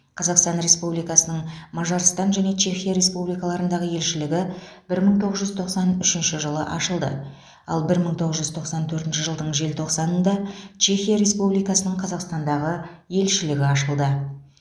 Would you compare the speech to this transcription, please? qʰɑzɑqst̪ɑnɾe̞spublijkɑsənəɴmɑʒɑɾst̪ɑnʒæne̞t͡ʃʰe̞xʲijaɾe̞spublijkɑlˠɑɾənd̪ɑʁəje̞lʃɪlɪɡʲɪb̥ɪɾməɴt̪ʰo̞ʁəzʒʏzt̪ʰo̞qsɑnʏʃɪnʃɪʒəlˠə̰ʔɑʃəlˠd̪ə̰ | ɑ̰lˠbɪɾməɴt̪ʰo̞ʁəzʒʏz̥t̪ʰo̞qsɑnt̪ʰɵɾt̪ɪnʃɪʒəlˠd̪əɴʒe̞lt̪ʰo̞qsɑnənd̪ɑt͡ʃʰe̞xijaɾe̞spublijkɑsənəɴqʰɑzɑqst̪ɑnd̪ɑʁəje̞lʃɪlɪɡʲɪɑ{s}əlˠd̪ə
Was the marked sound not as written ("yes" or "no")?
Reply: yes